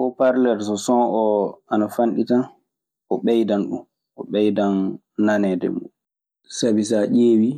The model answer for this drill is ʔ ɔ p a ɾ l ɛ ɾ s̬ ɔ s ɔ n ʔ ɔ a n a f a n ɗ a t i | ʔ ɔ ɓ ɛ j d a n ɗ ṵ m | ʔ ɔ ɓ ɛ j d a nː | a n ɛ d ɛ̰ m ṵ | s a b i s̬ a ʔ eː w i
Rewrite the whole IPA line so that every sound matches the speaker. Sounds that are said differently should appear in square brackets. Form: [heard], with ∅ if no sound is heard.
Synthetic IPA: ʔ ɔ p a ɾ l ɛ ɾ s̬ ɔ s ɔ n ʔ ɔ a n a f a n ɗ [i] t [a] | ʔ ɔ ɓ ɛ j d a n ɗ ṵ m | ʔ ɔ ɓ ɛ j d a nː | a n ɛ d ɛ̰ m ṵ | s a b i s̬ a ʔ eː w i